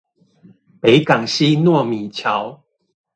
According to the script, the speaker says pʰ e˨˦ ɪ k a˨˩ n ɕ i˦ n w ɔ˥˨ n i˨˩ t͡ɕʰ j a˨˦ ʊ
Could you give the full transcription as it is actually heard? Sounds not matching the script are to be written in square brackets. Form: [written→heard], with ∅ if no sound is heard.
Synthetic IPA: [pʰ→p] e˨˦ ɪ k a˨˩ [n→ŋ] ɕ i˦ n w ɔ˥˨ [n→m] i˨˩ t͡ɕʰ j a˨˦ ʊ